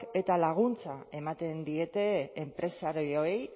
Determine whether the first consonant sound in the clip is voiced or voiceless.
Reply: voiceless